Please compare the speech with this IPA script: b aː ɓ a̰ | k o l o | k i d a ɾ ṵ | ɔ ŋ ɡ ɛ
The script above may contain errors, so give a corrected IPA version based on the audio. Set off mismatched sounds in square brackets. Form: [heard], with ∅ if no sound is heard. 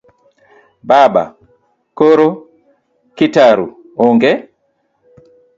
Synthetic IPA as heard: b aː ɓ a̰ | k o [ɾ] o | k i [t] a ɾ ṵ | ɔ ŋ ɡ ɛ